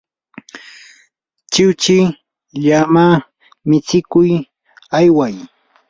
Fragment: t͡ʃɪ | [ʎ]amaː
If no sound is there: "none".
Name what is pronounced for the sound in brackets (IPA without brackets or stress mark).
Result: ʎ